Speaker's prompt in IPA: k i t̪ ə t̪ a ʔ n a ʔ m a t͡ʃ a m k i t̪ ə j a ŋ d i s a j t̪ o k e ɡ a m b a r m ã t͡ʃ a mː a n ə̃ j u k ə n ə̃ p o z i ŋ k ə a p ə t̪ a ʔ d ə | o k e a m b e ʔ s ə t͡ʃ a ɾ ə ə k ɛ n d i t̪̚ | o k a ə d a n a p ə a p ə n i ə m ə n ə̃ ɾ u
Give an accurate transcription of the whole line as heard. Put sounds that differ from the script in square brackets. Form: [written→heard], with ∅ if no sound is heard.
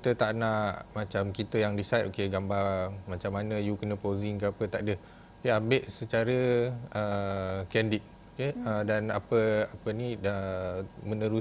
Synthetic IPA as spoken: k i t̪ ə t̪ a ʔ n a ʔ m a t͡ʃ a m k i t̪ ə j a ŋ d i s a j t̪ o k e ɡ a m b a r m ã t͡ʃ a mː a n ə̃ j u k ə n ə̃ p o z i ŋ k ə a p ə t̪ a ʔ d ə | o k e a m b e ʔ s ə t͡ʃ a ɾ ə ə k ɛ n d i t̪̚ | o k [a→e] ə d a n a p ə a p ə n i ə m ə n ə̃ ɾ u